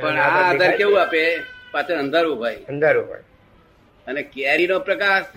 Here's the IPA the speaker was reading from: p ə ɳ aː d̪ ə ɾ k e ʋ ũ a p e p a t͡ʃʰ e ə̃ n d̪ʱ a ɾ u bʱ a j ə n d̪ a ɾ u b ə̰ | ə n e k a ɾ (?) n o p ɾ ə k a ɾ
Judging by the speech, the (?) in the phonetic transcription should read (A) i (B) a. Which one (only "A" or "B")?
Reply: A